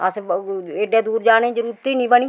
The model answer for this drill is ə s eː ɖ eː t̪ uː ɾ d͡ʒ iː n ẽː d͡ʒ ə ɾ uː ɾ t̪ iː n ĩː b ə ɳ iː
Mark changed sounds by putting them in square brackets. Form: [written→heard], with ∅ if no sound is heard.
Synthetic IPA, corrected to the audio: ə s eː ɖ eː [t̪→d̪] uː ɾ d͡ʒ [iː→aː] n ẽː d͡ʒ ə ɾ uː ɾ t̪ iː n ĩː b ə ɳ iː